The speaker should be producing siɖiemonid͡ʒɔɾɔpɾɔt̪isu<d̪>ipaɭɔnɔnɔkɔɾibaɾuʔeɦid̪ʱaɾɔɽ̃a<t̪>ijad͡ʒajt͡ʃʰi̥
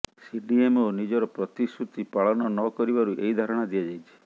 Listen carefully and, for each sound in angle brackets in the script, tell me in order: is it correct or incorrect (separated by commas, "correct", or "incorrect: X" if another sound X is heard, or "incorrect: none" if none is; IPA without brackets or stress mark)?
incorrect: t̪, incorrect: d̪